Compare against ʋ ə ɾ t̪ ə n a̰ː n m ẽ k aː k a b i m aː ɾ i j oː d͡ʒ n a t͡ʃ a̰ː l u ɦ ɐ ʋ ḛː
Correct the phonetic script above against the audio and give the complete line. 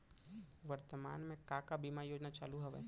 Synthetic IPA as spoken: ʋ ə ɾ t̪ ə m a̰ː n m ẽ k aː k a b i m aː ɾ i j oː d͡ʒ n a t͡ʃ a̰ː l u ɦ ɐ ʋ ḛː